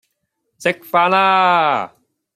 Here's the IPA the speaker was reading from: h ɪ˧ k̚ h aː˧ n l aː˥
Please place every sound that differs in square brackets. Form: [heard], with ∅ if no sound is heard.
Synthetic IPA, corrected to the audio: [s] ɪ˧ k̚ [f] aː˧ n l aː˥

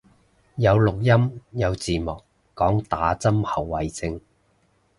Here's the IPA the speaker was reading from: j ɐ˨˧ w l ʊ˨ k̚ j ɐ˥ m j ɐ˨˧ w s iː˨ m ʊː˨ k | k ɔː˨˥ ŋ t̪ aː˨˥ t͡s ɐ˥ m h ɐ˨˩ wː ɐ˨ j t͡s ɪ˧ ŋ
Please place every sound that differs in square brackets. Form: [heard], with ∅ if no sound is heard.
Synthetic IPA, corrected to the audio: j ɐ˨˧ w l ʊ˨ k̚ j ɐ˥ m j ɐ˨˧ w [t͡s] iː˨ m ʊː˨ k | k ɔː˨˥ ŋ t̪ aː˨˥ t͡s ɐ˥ m h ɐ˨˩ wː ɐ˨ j t͡s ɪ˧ ŋ

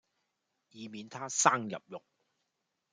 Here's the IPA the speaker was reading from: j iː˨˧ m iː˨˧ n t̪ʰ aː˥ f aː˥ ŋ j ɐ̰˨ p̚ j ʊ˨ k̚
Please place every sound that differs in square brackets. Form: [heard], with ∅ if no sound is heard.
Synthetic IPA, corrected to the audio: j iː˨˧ m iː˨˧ n t̪ʰ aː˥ [s] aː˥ ŋ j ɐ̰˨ p̚ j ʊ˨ k̚

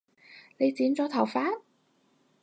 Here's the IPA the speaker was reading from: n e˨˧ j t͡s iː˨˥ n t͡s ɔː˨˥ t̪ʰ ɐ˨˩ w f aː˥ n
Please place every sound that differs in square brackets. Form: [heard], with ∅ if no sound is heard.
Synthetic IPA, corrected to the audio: n e˨˧ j t͡s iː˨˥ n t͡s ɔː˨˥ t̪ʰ ɐ˨˩ w f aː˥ n

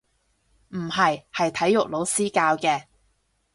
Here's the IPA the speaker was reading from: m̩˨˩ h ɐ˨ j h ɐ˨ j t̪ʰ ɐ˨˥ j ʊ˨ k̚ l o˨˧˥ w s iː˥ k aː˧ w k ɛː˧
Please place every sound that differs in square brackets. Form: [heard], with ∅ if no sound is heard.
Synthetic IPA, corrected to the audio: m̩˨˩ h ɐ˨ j h ɐ˨ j t̪ʰ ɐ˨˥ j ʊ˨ k̚ l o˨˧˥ w s iː˥ k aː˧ w k ɛː˧

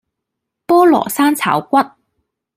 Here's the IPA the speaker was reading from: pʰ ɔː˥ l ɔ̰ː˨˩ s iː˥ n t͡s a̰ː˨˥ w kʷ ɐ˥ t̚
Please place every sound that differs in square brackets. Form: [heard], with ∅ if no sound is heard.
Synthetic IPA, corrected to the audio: [p] ɔː˥ l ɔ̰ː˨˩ s [aː˥] n [t͡sʰ] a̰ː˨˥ w kʷ ɐ˥ t̚

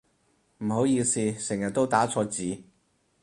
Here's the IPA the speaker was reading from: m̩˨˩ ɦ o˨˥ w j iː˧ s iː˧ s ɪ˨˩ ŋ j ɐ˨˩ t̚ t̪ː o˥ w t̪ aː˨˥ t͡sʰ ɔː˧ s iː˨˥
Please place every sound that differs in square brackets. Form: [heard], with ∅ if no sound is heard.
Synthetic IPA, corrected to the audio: m̩˨˩ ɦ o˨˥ w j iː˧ s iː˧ s ɪ˨˩ ŋ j ɐ˨˩ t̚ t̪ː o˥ w t̪ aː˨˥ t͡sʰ ɔː˧ [t͡s] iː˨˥

